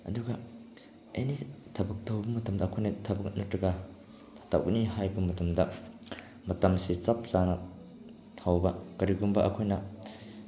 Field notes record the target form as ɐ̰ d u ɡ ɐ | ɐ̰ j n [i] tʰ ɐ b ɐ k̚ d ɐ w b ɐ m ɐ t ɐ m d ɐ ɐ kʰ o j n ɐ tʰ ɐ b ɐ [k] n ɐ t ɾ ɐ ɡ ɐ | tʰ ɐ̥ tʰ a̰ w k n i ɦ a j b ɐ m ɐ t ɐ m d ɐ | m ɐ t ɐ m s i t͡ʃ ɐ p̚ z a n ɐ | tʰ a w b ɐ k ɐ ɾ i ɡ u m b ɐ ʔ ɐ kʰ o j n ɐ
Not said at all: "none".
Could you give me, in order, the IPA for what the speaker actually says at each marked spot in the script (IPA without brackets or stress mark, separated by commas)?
i, k